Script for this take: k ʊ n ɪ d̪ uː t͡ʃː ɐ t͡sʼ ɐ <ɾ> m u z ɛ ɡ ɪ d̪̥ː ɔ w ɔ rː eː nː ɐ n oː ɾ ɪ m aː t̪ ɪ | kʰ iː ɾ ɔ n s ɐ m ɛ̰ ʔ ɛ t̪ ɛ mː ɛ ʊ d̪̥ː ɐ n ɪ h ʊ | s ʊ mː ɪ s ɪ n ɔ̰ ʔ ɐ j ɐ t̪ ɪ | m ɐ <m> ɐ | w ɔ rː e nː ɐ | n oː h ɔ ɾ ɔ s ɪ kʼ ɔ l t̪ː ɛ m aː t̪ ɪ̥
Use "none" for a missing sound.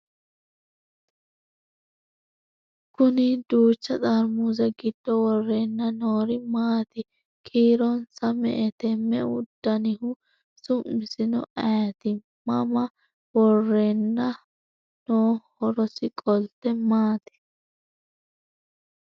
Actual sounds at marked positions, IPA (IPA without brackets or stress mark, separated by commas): ɾ, m